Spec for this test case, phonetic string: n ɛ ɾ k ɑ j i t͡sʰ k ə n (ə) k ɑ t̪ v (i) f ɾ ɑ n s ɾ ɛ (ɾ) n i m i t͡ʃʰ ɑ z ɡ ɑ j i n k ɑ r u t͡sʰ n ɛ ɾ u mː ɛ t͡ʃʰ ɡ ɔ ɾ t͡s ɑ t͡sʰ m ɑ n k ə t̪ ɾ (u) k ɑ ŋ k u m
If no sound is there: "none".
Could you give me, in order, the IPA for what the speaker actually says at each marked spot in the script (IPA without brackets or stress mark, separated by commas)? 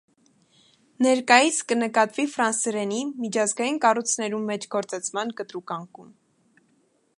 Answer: ə, i, none, u